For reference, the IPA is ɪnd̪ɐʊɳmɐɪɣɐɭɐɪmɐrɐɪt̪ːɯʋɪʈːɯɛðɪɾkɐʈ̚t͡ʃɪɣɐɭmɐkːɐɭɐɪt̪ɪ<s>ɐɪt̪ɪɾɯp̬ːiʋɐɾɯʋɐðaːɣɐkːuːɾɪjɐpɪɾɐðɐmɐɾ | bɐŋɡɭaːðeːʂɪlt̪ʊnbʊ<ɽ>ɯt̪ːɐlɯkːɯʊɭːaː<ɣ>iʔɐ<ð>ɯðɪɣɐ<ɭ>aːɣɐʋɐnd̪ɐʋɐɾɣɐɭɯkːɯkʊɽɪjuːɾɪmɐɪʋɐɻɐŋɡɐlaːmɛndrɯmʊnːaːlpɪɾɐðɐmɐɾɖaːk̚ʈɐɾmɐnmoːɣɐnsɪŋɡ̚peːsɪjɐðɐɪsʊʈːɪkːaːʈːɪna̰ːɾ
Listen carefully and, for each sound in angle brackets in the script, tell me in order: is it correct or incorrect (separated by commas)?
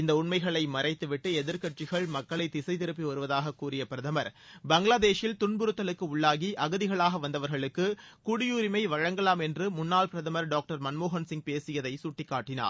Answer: correct, incorrect, correct, incorrect, correct